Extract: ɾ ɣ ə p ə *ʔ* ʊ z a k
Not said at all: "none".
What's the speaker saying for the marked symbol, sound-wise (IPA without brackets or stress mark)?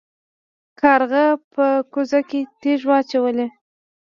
k